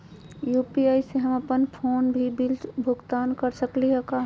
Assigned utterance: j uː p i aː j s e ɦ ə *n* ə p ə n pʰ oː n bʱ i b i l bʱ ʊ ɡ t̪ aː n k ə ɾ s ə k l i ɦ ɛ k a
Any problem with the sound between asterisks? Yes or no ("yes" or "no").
yes